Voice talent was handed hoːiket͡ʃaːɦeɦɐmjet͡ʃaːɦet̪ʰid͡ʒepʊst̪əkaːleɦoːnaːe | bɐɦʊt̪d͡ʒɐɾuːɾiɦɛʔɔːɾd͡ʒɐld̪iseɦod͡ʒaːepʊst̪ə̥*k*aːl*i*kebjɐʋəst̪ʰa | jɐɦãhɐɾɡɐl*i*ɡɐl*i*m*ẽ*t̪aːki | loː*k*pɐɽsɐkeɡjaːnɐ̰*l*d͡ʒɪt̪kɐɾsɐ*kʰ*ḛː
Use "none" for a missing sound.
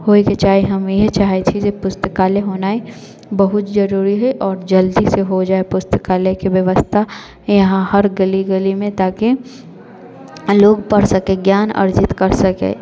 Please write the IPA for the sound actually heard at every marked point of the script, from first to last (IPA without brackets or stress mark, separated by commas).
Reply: k, e, i, i, ẽ, ɡ, ɾ, k